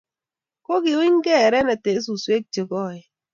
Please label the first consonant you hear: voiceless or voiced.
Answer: voiceless